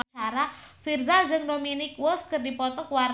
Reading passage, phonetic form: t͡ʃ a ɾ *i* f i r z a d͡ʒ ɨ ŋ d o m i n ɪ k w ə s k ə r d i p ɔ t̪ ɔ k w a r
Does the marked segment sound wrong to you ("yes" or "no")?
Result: yes